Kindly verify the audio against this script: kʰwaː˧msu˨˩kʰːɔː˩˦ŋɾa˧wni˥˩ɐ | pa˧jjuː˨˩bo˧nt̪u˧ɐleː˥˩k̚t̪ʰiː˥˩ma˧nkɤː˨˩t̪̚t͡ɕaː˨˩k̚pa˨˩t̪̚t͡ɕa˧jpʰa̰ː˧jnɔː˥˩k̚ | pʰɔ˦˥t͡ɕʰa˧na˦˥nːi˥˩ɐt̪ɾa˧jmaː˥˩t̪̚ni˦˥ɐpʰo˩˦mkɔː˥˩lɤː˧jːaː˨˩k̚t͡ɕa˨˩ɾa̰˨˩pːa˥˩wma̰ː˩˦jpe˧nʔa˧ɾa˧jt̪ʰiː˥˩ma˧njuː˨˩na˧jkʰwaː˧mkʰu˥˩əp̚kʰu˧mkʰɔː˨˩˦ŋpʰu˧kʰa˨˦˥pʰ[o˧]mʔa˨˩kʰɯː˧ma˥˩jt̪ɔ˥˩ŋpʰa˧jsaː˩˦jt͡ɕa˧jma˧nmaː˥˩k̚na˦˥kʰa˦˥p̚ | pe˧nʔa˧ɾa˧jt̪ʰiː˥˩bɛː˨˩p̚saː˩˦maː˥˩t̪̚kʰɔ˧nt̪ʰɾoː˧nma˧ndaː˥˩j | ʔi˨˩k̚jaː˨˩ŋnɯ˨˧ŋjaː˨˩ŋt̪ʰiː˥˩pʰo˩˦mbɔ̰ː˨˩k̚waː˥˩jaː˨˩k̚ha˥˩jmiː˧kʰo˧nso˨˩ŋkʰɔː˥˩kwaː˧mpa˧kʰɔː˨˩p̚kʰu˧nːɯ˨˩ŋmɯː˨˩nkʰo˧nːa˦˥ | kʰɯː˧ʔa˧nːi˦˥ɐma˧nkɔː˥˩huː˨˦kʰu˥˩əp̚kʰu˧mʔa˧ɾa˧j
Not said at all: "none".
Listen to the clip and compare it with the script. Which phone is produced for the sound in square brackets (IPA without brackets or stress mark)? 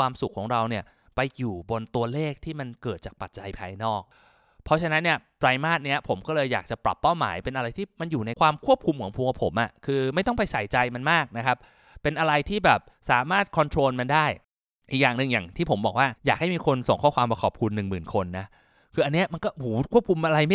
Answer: o˩˦